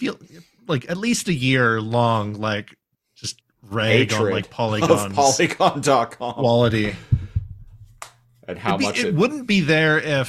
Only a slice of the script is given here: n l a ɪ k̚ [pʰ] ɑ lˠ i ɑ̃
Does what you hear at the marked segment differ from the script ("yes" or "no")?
no